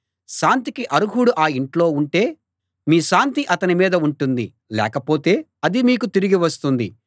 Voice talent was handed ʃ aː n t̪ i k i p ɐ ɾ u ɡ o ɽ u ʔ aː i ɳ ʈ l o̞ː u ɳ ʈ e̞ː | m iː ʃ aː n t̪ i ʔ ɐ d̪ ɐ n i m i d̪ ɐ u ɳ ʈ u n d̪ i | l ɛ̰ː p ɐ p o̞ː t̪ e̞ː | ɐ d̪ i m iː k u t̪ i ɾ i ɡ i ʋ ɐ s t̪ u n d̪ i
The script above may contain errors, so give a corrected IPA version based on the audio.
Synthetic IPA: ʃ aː n t̪ i k i ʔ ɐ ɾ u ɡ u ɽ u ʔ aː i ɳ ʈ l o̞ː u ɳ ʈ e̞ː | m iː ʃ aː n t̪ i ʔ ɐ t̪ ɐ n i m iː d̪ ɐ u ɳ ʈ u n d̪ i | l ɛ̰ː k ɐ p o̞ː t̪ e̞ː | ɐ d̪ i m iː k u t̪ i ɾ i ɡ i ʋ ɐ s t̪ u n d̪ i

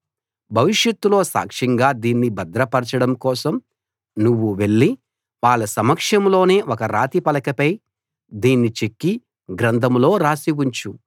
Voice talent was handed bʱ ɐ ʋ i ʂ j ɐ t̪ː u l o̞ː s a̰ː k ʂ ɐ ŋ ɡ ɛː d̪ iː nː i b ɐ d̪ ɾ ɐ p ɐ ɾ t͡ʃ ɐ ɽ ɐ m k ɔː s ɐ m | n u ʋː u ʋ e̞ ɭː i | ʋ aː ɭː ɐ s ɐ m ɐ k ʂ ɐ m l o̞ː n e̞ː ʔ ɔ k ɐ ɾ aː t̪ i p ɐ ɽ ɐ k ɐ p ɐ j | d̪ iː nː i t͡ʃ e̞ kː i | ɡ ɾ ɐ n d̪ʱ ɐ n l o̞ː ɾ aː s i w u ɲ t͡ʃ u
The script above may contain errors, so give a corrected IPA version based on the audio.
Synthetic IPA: bʱ ɐ ʋ i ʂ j ɐ t̪ː u l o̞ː s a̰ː k ʂ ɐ ŋ ɡ aː d̪ iː nː i b ɐ d̪ ɾ ɐ p ɐ ɾ t͡ʃ ɐ ɽ ɐ m k ɔː s ɐ m | n u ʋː u ʋ e̞ ɭː i | ʋ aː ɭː ɐ s ɐ m ɐ k ʂ ɐ m l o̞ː n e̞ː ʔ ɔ k ɐ ɾ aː t̪ i p ɐ l ɐ k ɐ p ɐ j | d̪ iː nː i t͡ʃ e̞ kː i | ɡ ɾ ɐ n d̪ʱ ɐ m l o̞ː ɾ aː s i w u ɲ t͡ʃ u

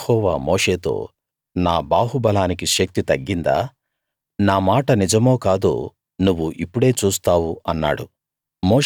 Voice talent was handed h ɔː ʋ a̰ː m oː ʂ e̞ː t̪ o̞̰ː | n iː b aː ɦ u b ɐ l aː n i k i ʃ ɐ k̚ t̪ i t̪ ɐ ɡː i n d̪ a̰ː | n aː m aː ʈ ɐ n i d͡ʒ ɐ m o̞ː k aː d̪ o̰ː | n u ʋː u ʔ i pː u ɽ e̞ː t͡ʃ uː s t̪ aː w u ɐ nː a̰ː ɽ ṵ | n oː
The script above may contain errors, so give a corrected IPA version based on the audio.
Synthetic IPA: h ɔː ʋ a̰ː m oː ʂ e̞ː t̪ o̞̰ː | n aː b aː ɦ u b ɐ l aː n i k i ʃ ɐ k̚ t̪ i t̪ ɐ ɡː i n d̪ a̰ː | n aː m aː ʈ ɐ n i d͡ʒ ɐ m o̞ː k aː d̪ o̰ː | n u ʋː u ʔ i pː u ɽ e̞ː t͡ʃ uː s t̪ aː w u ɐ nː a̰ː ɽ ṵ | m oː

